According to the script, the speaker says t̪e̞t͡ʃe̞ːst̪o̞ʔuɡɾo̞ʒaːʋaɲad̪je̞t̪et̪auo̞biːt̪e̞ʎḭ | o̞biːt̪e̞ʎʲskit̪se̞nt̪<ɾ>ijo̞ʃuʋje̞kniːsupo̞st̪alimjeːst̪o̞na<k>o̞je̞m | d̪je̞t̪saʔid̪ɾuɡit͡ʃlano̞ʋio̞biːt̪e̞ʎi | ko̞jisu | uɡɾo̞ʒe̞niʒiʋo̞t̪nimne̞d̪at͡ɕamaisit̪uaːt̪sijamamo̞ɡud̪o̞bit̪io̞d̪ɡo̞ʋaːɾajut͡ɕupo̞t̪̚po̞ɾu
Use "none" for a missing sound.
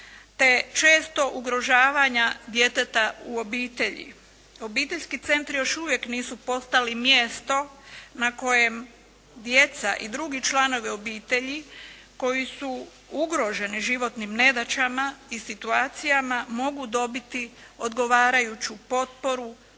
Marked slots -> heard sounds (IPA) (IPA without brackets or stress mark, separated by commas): ɾ, k